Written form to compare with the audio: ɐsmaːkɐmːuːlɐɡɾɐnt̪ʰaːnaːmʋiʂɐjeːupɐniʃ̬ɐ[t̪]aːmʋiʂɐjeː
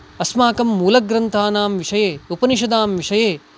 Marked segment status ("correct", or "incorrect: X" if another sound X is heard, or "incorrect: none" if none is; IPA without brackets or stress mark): incorrect: d̪